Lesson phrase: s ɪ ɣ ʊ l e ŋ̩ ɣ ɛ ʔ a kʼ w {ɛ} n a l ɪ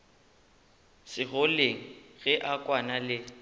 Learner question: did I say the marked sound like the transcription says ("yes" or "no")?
no